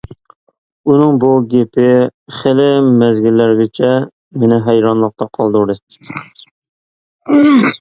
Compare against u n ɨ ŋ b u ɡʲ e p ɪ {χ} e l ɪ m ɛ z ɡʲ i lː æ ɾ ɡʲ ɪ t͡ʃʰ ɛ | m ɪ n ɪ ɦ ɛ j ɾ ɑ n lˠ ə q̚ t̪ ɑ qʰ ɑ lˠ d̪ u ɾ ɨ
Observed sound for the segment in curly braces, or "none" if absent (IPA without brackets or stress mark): χ